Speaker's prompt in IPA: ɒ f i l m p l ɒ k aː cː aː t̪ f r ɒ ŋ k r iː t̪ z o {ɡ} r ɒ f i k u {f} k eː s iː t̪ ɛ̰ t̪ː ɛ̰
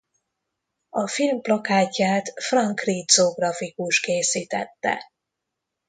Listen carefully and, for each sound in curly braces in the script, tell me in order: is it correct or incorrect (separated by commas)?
correct, incorrect